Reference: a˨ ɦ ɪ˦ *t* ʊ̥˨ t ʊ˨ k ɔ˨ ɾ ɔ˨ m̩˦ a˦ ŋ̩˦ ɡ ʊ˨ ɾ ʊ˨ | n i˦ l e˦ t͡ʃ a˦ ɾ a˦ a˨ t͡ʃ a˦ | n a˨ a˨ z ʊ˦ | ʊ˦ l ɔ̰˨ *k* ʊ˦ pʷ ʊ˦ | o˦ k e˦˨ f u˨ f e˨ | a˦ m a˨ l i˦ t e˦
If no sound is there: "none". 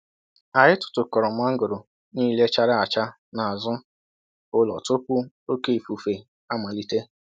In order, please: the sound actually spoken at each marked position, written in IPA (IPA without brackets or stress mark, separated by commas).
t, t